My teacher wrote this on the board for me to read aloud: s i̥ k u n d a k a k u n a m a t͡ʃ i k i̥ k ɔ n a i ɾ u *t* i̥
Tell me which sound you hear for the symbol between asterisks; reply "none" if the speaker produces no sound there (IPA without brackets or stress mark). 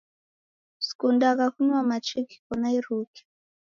k